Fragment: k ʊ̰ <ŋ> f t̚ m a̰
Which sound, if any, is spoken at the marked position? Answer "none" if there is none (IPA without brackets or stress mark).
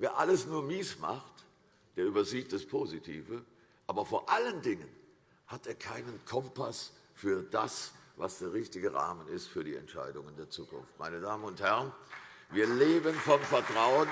n